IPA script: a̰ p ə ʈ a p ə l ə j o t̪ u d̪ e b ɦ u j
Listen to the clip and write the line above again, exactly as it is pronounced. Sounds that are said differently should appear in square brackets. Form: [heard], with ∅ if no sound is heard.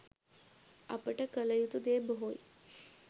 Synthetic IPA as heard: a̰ p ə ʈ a [k] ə l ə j [u] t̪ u d̪ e b ɦ [o] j